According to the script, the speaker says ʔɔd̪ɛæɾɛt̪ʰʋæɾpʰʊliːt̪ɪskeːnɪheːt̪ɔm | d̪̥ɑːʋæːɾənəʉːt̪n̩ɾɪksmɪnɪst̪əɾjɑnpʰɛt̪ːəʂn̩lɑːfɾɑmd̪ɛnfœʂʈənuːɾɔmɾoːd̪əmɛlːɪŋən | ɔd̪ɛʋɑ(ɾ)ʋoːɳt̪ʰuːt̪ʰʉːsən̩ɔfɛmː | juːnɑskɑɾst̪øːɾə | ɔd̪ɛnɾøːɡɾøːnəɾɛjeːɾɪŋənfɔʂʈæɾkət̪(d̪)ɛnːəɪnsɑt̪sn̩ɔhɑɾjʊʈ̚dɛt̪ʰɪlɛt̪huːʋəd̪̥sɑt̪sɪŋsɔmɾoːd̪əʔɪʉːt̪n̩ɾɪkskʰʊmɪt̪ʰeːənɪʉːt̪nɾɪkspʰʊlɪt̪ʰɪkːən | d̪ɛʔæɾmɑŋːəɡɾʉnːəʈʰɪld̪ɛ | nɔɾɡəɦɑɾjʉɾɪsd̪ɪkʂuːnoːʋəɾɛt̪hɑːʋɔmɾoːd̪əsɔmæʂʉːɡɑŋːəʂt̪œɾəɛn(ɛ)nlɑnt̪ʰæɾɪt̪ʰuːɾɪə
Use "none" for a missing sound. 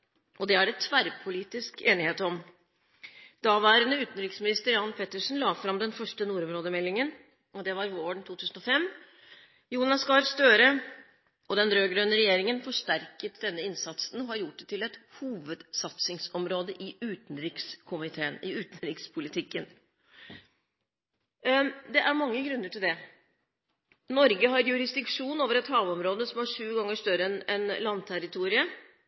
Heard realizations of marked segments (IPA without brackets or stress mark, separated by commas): ɾ, d̪, ɛ